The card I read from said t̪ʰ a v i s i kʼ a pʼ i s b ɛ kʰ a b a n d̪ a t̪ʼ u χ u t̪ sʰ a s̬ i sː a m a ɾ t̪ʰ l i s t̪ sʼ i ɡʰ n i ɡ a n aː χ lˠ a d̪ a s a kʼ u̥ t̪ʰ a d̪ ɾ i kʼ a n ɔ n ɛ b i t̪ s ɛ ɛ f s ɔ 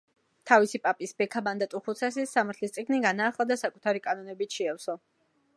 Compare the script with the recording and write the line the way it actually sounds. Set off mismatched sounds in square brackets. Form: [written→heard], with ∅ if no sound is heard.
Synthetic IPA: t̪ʰ a v i s i [kʼ→pʼ] a pʼ i s b ɛ kʰ a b a n d̪ a t̪ʼ u χ u t̪ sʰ a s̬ i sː a m a ɾ t̪ʰ l i s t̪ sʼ i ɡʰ n i ɡ a n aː χ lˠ a d̪ a s a kʼ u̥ t̪ʰ a [d̪→∅] ɾ i kʼ a n ɔ n ɛ b i t̪ [s→ʃ] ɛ ɛ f s ɔ